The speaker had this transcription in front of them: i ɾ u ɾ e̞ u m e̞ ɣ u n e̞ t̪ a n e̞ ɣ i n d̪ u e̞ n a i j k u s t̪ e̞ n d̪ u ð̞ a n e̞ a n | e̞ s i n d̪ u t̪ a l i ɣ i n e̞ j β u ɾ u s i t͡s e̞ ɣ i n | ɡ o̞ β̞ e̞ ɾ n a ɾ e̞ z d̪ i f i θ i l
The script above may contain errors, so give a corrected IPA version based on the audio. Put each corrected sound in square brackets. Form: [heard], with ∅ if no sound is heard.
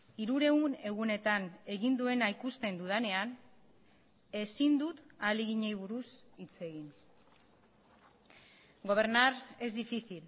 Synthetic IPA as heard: i ɾ u ɾ e̞ u [n] e̞ ɣ u n e̞ t̪ a n e̞ ɣ i n d̪ u e̞ n a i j k u s t̪ e̞ n d̪ u ð̞ a n e̞ a n | e̞ s i n d̪ u t̪ a l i ɣ i [ɲ] e̞ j β u ɾ u s i t͡s e̞ ɣ i n | ɡ o̞ β̞ e̞ ɾ n a ɾ e̞ z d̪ i f i θ i l